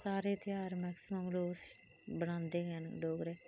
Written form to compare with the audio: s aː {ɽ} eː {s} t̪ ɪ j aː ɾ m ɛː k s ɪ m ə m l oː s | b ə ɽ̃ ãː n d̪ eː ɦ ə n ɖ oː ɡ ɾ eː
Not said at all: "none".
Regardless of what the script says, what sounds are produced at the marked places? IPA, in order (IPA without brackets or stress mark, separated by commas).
ɾ, none